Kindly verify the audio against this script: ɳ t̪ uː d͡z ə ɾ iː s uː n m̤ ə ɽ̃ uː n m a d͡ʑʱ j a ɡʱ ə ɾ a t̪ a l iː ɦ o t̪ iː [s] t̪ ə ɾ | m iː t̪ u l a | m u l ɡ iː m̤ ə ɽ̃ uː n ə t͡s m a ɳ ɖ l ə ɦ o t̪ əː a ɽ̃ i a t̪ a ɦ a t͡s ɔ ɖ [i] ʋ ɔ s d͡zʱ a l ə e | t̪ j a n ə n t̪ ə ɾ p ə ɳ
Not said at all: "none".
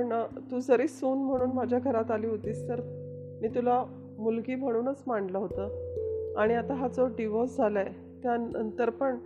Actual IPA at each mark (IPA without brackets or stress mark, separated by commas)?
s, i